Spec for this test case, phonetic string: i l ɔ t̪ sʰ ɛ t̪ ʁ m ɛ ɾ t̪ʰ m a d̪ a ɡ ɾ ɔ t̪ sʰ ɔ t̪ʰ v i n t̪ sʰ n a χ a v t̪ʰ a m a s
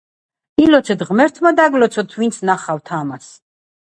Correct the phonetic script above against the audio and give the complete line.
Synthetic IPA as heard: i l ɔ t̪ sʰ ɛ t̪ ʁ m ɛ ɾ t̪ʰ m a d̪ a ɡ l ɔ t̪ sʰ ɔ t̪ʰ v i n t̪ sʰ n a χ a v t̪ʰ a m a s